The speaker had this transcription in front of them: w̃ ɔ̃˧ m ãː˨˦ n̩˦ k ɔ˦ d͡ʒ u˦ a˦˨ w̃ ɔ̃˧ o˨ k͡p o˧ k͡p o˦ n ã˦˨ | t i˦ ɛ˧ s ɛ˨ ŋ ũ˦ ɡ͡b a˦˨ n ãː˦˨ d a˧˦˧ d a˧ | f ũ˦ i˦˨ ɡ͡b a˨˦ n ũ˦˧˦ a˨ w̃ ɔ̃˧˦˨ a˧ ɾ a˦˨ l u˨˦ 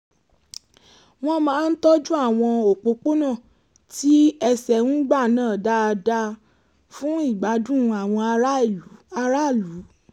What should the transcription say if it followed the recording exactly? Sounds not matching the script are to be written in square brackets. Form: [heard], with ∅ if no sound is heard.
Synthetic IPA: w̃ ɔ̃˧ m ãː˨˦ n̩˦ [t] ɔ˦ d͡ʒ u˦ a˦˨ w̃ ɔ̃˧ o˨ k͡p o˧ k͡p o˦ n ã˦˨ | t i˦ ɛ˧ s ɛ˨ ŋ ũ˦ ɡ͡b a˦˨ n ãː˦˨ d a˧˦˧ d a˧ | f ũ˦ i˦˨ ɡ͡b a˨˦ [d] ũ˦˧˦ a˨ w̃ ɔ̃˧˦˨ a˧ ɾ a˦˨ l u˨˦

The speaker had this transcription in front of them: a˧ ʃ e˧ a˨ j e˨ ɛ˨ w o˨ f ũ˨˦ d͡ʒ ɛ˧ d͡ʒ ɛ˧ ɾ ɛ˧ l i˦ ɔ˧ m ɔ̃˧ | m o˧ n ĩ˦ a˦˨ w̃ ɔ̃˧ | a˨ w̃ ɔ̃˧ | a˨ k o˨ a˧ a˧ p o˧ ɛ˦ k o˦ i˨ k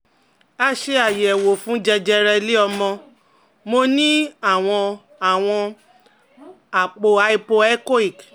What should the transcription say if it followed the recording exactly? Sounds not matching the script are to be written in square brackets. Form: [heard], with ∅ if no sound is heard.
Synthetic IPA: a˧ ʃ e˧ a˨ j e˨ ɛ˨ w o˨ f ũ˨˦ d͡ʒ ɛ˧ d͡ʒ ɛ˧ ɾ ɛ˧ l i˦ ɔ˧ m ɔ̃˧ | m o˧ n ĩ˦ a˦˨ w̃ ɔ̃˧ | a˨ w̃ ɔ̃˧ | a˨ [k͡p] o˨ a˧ [i˧] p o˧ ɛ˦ k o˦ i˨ k

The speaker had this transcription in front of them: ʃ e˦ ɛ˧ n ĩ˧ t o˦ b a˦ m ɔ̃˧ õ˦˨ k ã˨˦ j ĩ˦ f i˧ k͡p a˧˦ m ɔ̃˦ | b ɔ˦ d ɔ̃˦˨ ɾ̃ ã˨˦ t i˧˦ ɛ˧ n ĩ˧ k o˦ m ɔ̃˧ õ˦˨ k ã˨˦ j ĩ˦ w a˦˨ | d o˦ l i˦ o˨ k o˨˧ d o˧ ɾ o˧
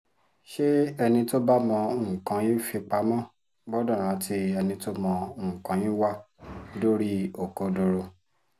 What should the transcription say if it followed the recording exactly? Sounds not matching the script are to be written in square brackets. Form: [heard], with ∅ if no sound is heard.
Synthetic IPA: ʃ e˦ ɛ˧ n ĩ˧ t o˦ b a˦ m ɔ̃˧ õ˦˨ k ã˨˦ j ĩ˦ f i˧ k͡p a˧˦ m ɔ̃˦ | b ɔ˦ d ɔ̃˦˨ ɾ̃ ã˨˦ t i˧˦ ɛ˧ n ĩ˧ [t] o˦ m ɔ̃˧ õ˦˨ k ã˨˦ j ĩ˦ w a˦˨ | d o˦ [ɾ] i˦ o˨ k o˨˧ d o˧ ɾ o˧

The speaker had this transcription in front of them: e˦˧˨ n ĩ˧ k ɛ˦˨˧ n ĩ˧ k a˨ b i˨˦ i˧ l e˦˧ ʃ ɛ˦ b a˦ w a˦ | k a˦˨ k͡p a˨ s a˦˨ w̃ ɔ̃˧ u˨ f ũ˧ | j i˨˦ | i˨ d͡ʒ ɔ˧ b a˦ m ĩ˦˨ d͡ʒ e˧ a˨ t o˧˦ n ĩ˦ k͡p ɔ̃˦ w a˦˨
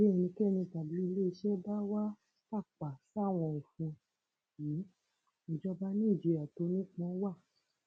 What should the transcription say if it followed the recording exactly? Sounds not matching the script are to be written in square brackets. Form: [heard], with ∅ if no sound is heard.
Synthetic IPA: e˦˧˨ n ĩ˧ k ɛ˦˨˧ n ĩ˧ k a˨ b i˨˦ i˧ l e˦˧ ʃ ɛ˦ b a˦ w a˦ | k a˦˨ k͡p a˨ s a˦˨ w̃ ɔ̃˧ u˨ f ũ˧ | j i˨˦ | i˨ d͡ʒ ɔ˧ b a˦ [n] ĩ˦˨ d͡ʒ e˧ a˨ t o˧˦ n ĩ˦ k͡p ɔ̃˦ w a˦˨

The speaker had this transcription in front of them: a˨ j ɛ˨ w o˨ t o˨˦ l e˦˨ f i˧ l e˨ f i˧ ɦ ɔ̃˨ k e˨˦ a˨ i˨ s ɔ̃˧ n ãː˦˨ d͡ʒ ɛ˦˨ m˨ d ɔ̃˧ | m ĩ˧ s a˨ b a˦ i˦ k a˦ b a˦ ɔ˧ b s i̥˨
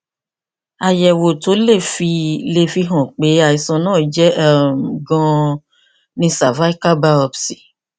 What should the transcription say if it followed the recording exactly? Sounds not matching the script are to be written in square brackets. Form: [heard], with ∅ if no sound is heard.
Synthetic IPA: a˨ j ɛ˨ w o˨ t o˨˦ l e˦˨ f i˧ l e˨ f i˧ ɦ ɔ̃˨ [k͡p] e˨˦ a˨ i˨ s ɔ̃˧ n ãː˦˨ d͡ʒ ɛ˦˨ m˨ [ɡ] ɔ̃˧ | [n] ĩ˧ s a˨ [v] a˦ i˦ k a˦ b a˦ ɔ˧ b s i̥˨

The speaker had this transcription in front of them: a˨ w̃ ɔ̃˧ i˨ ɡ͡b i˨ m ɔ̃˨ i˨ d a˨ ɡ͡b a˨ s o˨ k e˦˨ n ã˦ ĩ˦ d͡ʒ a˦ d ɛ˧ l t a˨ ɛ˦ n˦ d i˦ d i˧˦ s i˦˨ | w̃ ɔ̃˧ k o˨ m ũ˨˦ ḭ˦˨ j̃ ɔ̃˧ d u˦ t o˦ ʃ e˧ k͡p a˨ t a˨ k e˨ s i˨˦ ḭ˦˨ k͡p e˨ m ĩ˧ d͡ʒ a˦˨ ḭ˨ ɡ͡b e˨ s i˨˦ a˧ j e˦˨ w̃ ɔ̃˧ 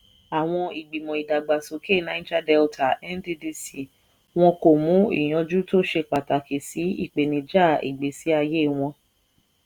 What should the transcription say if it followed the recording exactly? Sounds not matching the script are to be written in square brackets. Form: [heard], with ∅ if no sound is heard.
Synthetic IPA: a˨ w̃ ɔ̃˧ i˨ ɡ͡b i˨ m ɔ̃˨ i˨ d a˨ ɡ͡b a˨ s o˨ k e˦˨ n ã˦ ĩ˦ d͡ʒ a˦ d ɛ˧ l t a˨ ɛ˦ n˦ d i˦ d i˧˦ s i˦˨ | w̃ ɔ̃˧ k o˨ m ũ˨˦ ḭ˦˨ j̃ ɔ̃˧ [d͡ʒ] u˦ t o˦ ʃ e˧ k͡p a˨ t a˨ k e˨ s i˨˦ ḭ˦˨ k͡p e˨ [n] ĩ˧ d͡ʒ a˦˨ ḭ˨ ɡ͡b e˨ s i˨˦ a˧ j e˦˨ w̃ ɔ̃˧

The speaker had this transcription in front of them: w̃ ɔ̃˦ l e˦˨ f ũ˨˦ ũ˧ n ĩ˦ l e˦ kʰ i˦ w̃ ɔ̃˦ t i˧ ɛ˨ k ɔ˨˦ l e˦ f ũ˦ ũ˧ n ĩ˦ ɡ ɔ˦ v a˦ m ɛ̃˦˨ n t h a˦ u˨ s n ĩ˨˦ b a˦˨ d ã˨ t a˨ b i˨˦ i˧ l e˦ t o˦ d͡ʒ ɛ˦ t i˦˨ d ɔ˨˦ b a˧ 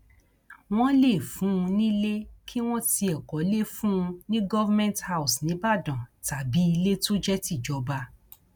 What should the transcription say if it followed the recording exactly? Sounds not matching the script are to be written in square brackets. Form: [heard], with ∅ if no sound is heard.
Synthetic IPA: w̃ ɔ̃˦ l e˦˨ f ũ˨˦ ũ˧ n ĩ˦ l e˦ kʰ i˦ w̃ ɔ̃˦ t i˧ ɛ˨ k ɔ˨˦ l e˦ f ũ˦ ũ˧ n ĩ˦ ɡ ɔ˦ v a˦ m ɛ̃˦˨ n t h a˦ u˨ s n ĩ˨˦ b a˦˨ d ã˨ t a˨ b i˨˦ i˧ l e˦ t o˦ d͡ʒ ɛ˦ t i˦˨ [d͡ʒ] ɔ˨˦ b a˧

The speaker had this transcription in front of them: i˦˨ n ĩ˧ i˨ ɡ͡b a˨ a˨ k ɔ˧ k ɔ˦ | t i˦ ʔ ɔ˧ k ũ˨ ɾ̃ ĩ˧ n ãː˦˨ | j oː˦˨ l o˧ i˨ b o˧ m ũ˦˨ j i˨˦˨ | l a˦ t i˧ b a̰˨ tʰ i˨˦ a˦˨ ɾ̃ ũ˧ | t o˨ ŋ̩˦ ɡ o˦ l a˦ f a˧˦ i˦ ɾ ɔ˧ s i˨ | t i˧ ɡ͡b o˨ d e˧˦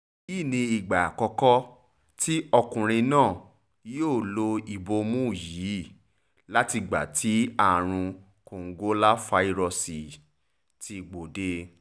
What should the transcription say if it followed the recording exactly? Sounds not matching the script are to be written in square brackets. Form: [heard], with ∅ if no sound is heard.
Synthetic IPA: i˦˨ n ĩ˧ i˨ ɡ͡b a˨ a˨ k ɔ˧ k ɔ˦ | t i˦ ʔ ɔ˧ k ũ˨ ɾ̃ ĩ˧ n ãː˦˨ | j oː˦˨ l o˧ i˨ b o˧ m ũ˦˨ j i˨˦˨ | l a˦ t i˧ [ɡ͡b] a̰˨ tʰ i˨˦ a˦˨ ɾ̃ ũ˧ | [k] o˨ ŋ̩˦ ɡ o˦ l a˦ f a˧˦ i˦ ɾ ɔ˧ s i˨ | t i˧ ɡ͡b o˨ d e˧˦

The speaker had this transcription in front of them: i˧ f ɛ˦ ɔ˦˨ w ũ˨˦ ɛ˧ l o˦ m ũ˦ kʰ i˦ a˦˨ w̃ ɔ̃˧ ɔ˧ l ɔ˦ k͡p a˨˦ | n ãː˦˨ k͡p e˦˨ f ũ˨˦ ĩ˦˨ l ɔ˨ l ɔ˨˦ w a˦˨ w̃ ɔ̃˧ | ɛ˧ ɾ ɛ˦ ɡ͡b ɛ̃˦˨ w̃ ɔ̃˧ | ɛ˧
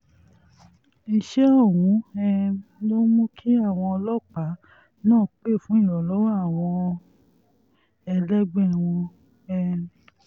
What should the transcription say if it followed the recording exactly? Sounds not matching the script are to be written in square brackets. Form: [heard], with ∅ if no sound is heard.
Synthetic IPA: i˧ [ʃ] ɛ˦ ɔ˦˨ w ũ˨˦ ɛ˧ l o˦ m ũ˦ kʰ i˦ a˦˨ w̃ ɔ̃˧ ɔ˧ l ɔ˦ k͡p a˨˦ | n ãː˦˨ k͡p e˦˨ f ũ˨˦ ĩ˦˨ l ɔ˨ l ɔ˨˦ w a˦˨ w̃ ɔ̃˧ | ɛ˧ [l] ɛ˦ ɡ͡b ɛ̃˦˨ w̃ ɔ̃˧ | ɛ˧

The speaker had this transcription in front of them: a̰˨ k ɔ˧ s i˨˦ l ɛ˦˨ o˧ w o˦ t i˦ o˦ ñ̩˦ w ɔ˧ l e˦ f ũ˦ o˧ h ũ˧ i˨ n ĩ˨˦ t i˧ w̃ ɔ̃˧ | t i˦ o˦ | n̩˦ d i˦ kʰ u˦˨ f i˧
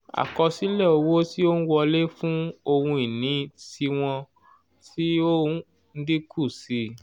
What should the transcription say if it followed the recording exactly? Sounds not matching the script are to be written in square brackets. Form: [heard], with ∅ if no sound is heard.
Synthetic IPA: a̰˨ k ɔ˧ s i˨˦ l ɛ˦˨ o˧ w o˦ t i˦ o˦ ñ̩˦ w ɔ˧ l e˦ f ũ˦ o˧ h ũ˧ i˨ n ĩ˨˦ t i˧ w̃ ɔ̃˧ | t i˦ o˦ | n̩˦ d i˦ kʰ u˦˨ [s] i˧

